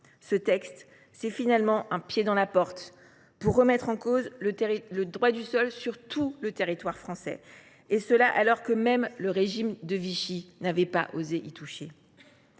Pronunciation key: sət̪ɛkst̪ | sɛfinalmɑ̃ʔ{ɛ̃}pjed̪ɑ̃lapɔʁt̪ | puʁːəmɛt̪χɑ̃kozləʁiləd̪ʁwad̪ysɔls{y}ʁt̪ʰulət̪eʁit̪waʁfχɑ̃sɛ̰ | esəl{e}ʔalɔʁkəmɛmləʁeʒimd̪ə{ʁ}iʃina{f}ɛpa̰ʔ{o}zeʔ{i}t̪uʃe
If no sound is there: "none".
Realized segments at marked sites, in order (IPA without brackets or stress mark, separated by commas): ɛ̃, y, a, v, v, o, i